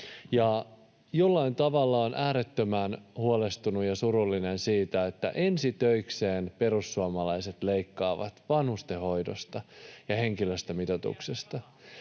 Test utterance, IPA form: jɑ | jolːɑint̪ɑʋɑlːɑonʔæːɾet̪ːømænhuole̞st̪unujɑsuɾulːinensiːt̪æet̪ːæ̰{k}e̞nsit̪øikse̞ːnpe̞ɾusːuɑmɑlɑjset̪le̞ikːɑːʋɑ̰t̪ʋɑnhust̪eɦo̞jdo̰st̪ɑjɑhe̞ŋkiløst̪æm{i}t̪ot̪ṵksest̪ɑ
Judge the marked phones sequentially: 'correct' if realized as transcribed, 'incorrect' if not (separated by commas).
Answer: incorrect, correct